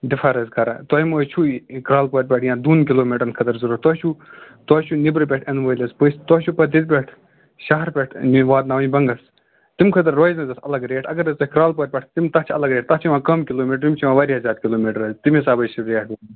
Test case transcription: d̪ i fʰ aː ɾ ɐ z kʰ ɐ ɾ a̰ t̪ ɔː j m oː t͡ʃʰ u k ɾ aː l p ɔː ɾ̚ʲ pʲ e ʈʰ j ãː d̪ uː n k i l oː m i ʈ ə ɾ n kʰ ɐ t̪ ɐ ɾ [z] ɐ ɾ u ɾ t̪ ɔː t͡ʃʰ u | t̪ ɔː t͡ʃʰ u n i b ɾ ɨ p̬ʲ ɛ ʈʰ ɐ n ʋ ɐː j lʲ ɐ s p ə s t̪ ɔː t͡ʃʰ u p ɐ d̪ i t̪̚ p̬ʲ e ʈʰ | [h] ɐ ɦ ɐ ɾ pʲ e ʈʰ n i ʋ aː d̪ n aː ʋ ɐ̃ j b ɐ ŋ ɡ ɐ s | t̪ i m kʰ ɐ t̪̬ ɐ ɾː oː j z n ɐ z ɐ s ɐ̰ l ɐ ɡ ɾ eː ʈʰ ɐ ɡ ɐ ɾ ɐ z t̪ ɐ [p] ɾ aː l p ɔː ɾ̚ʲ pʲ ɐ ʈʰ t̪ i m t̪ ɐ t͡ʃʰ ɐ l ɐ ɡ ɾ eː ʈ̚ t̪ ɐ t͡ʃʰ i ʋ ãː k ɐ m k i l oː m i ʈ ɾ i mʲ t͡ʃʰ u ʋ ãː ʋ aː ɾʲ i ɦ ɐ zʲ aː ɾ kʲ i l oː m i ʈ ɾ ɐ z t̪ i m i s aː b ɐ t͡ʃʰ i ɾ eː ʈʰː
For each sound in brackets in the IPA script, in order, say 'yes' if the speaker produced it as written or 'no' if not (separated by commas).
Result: yes, no, no